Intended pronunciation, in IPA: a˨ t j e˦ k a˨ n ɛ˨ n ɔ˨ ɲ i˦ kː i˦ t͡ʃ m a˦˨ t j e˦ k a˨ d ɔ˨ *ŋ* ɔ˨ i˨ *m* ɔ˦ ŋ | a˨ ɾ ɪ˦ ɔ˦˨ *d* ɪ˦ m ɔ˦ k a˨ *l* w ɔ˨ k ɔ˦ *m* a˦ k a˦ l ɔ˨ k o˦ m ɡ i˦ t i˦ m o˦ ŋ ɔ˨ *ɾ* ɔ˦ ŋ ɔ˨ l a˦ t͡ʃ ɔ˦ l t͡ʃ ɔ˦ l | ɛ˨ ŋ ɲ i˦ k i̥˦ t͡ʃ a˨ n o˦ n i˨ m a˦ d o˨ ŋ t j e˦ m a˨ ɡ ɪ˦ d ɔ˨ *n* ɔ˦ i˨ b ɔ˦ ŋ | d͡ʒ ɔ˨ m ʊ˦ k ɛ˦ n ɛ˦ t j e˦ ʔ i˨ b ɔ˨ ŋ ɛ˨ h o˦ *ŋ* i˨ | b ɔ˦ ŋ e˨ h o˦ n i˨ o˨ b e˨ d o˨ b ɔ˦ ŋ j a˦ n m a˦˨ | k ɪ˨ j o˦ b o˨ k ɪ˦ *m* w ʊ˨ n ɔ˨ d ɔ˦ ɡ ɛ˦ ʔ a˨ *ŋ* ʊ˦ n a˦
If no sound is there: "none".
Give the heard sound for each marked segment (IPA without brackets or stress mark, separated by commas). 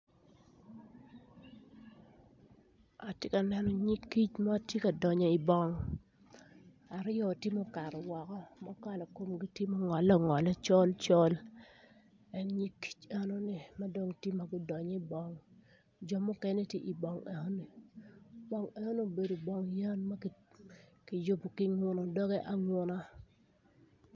ɲ, b, t, ɾ, m, l, ɲ, n, ŋ, ŋ